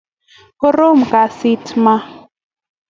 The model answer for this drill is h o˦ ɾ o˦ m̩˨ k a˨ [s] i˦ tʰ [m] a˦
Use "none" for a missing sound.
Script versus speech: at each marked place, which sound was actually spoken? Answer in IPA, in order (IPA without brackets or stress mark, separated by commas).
s, m